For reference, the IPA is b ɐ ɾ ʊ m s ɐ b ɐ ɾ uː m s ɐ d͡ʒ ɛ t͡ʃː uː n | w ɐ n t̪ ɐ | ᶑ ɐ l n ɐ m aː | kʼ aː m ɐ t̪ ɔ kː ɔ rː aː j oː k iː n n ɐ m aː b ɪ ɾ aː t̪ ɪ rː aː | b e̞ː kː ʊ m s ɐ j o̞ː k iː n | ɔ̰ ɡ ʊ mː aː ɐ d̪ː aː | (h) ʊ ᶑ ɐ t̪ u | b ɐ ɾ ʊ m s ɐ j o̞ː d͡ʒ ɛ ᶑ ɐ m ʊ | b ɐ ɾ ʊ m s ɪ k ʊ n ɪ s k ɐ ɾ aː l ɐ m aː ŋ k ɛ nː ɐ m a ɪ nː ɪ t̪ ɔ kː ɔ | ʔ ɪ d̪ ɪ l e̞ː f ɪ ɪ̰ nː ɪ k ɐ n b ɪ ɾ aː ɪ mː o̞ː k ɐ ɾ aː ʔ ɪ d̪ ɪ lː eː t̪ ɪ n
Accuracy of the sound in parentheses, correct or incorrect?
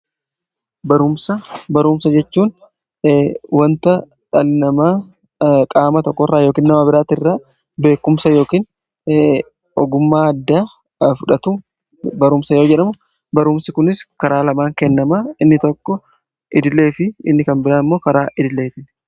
incorrect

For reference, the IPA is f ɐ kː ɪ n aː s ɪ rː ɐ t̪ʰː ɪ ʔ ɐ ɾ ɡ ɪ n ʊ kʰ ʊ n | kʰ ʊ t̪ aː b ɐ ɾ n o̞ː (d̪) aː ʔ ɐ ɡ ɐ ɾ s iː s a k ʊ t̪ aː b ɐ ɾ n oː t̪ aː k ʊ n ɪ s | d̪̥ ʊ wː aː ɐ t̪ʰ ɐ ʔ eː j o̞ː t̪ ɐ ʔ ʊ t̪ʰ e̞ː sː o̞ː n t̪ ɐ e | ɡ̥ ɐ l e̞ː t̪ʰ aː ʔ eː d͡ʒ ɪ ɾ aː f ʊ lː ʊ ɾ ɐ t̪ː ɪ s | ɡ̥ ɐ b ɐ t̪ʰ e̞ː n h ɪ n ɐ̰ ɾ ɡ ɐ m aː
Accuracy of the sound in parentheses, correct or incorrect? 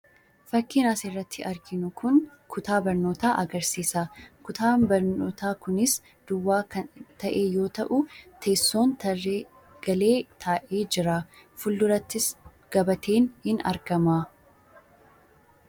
incorrect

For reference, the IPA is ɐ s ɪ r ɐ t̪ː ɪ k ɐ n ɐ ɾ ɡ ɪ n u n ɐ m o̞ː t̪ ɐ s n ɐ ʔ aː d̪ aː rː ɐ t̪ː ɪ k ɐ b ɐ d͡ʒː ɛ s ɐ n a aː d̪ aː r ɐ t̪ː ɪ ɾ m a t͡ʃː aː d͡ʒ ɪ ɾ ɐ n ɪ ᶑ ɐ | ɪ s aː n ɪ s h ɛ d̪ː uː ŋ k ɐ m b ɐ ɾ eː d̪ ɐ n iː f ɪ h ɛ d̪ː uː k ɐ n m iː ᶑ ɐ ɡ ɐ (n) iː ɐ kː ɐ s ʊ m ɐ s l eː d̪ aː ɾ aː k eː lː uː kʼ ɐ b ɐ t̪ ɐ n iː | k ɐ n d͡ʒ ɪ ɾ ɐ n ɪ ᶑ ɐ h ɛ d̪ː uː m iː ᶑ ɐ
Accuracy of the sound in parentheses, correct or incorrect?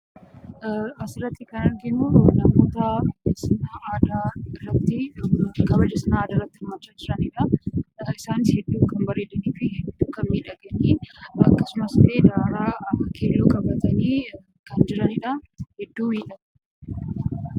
correct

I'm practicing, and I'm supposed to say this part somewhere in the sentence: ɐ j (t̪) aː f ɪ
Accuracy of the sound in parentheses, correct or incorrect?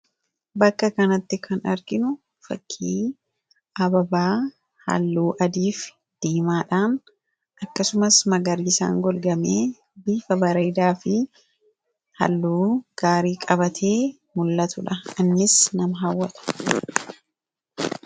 incorrect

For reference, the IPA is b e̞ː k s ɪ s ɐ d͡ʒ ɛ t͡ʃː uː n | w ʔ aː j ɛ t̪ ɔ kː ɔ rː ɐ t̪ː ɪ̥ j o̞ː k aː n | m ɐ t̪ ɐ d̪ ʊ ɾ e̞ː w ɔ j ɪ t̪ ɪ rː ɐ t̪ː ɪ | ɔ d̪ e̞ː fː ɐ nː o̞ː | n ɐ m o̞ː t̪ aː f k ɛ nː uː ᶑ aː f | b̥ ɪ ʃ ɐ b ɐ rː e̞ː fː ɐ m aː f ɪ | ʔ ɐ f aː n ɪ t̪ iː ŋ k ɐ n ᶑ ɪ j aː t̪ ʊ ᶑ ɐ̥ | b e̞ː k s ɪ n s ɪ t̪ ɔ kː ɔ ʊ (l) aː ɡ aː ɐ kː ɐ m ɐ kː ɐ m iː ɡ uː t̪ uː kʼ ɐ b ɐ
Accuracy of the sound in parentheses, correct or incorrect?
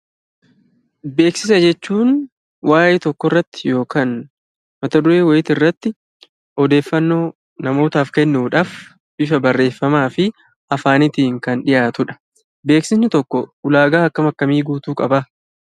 correct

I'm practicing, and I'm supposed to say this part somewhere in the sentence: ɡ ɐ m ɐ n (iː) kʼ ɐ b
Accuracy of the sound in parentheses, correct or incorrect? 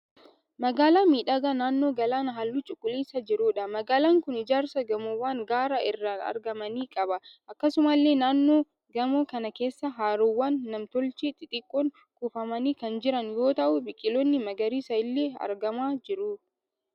correct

